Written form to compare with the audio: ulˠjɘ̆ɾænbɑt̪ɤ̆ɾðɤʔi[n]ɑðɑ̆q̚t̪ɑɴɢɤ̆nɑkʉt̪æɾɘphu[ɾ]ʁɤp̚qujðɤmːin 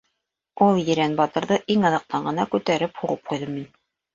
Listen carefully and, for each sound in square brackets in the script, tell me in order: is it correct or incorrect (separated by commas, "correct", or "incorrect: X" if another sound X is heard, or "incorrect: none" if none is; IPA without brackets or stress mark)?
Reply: incorrect: ŋ, incorrect: none